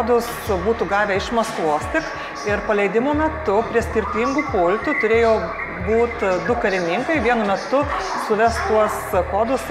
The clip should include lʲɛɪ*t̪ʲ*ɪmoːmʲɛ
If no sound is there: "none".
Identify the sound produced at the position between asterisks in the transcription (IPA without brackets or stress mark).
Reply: d̪ʲ